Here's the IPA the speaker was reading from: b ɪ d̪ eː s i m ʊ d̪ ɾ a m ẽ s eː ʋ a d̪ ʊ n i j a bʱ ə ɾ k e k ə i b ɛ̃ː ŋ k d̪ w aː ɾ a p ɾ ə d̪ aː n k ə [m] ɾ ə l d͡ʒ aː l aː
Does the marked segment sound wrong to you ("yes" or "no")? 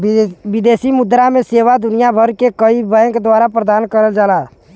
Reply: yes